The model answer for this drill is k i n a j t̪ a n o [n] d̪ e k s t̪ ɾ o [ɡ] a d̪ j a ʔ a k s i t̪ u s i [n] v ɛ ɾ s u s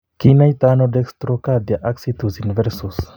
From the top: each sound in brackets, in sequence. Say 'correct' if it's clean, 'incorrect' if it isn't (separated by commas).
incorrect, incorrect, correct